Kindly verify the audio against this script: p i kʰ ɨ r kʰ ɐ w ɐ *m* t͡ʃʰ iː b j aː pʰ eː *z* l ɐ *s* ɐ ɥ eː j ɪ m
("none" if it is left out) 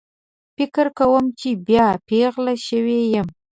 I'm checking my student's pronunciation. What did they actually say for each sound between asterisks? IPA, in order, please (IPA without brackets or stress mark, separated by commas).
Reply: m, ʁ, ʃ